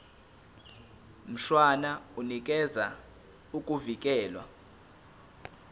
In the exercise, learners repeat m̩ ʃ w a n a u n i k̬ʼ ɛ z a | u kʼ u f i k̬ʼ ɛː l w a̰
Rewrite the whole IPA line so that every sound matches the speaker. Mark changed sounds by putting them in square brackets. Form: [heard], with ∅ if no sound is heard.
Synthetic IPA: m̩ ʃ w a n a u n i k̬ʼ ɛ z a | u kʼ u [v] i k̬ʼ ɛː l w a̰